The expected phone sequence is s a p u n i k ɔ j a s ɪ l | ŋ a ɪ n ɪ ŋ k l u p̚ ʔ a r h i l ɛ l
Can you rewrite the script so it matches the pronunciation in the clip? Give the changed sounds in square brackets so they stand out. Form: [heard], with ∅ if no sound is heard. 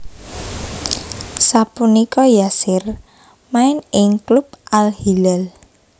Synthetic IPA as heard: s a p u n i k ɔ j a s ɪ [r] | [m] a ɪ n ɪ ŋ k l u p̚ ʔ a [l] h i l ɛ l